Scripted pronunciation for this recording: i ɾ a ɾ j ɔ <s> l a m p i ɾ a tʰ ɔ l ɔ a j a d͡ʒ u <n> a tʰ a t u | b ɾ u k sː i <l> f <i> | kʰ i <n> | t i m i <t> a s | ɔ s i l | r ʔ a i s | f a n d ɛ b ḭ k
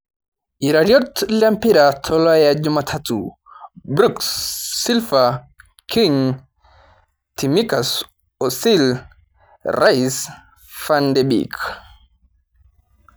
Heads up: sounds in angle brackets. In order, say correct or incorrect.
incorrect, incorrect, correct, incorrect, incorrect, incorrect

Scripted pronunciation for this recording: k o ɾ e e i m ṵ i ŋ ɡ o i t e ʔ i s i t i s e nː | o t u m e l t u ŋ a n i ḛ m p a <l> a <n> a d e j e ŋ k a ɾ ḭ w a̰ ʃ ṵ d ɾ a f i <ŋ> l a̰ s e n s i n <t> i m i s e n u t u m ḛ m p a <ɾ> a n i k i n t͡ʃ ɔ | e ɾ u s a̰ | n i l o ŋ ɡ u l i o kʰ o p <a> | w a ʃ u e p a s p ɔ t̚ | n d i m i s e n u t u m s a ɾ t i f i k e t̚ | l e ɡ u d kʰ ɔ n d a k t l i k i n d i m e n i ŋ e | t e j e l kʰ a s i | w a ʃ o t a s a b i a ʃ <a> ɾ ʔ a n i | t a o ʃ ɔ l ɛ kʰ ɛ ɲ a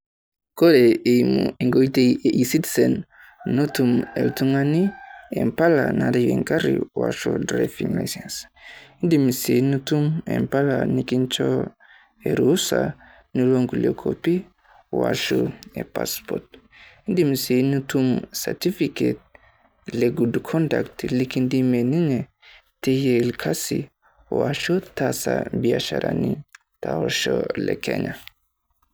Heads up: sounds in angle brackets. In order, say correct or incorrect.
correct, correct, correct, incorrect, incorrect, incorrect, correct

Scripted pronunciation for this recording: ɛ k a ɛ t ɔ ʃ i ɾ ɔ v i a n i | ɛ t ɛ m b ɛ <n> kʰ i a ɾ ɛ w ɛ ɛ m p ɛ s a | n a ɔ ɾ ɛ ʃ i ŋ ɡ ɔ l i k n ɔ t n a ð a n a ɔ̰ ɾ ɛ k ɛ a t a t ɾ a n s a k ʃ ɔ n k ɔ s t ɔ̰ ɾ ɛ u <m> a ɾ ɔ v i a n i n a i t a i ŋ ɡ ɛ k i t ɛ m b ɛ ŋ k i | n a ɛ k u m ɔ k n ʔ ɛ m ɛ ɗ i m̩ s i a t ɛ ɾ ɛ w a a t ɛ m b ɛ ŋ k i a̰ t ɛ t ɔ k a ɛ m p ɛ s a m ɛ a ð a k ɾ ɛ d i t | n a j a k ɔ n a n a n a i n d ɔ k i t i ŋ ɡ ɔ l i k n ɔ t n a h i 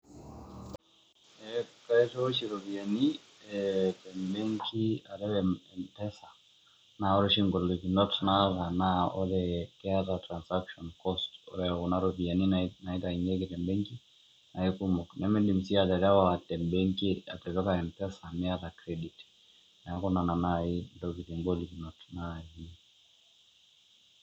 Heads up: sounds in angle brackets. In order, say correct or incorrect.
incorrect, incorrect

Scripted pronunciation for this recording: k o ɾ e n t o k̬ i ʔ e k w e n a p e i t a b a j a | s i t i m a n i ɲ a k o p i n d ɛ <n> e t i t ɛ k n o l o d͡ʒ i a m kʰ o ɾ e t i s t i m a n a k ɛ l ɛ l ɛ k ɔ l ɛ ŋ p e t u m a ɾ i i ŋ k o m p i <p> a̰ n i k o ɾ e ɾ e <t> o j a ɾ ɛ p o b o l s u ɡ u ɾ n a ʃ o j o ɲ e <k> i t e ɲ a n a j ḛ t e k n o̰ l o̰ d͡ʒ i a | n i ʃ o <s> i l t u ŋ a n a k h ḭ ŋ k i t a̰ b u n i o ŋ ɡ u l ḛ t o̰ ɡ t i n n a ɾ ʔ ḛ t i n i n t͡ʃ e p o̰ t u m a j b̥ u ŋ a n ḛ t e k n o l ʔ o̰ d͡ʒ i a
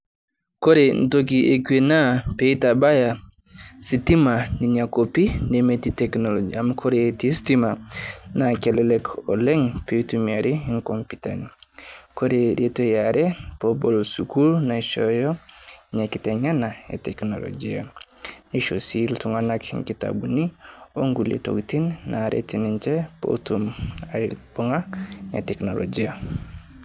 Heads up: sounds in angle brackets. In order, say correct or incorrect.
incorrect, incorrect, correct, correct, correct

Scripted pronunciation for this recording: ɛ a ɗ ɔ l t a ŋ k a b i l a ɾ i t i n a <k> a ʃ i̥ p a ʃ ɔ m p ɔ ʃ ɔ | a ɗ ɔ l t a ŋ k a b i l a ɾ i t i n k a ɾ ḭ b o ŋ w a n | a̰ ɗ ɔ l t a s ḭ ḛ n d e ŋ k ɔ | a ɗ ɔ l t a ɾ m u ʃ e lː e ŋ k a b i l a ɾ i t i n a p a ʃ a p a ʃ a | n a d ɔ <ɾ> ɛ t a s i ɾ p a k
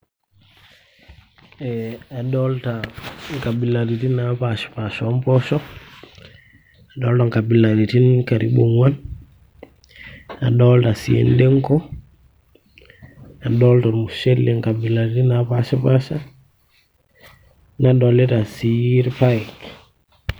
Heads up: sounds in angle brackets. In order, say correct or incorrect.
incorrect, incorrect

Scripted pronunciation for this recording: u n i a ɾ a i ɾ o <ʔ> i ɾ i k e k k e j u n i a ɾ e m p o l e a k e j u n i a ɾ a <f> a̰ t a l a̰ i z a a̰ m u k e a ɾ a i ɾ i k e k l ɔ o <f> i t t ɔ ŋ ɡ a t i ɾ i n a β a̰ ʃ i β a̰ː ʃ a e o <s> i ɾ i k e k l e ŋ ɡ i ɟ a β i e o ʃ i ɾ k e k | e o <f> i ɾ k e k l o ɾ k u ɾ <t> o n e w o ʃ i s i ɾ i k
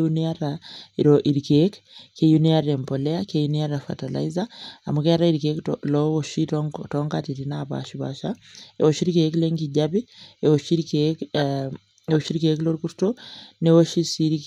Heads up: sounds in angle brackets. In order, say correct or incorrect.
correct, correct, incorrect, incorrect, incorrect, correct

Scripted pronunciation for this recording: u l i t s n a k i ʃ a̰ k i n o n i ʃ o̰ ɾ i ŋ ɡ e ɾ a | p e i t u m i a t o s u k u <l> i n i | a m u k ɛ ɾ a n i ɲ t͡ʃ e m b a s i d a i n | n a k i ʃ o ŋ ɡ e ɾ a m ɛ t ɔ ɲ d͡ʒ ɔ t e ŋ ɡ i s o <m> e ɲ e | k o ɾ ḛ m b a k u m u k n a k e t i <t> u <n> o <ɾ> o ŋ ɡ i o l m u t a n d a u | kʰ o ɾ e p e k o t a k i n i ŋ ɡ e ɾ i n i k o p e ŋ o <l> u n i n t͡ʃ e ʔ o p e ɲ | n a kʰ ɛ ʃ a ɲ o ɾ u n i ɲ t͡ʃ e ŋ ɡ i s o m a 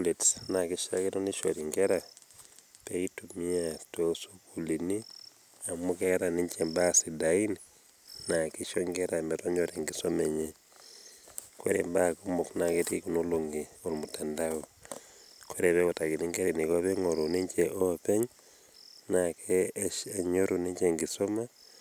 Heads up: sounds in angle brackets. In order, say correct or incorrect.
correct, correct, incorrect, correct, incorrect, incorrect

